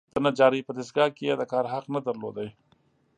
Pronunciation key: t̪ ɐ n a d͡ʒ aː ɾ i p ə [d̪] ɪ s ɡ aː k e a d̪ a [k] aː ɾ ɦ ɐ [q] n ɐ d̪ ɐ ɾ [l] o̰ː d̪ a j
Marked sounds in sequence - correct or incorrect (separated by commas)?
correct, correct, correct, correct